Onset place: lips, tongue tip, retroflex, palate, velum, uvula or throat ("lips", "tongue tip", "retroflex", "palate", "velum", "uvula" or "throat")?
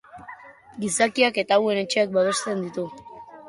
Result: velum